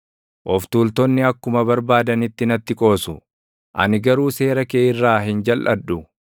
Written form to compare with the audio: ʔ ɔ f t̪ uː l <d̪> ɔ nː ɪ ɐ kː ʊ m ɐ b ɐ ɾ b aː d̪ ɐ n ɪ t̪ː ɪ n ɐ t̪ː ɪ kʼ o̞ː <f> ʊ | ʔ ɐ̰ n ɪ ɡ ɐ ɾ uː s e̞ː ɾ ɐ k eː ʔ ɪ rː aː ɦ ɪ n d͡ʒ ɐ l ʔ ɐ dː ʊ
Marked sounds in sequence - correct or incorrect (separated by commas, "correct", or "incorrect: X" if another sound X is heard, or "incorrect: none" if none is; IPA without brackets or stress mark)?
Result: incorrect: t̪, incorrect: s